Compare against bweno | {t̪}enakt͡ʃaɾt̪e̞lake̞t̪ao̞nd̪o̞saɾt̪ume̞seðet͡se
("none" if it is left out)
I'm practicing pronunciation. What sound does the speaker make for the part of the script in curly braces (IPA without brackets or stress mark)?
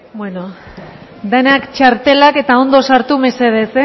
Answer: d̪